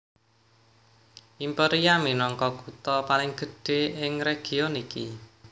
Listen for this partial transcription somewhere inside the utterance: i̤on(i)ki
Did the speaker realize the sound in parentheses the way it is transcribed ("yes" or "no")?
yes